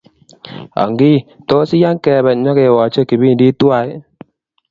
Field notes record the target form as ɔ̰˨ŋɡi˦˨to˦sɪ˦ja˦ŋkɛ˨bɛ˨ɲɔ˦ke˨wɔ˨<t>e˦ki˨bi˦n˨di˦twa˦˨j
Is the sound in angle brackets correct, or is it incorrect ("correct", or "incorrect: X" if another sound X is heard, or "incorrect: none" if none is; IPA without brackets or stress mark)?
incorrect: t͡ʃ